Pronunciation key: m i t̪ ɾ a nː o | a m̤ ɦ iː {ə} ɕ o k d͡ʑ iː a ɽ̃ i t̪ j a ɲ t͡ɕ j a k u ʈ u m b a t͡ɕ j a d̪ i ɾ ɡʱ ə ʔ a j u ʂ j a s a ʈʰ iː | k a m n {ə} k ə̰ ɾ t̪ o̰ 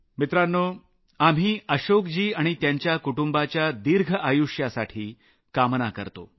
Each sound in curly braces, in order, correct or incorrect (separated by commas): correct, incorrect